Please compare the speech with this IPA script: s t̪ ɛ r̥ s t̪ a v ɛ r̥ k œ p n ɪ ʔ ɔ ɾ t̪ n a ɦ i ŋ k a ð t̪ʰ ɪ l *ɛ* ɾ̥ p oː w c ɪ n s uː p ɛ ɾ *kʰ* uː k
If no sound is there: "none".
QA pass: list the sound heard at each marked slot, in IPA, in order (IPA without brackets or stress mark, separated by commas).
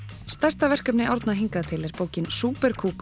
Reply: ɛ, kʰ